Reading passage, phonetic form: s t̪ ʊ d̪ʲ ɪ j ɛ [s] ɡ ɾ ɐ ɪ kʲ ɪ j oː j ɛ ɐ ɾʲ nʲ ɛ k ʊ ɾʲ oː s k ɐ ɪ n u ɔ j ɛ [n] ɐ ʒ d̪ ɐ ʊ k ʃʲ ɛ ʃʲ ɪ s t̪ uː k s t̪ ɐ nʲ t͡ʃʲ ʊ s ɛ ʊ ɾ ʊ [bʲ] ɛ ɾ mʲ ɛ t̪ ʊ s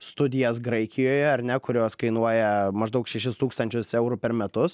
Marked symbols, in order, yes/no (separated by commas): yes, no, no